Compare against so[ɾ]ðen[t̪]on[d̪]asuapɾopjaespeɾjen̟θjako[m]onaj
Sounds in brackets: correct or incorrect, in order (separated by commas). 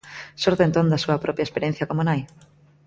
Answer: correct, correct, correct, correct